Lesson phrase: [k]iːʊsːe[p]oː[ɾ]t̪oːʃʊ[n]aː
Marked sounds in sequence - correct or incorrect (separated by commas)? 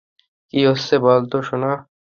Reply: correct, incorrect, incorrect, correct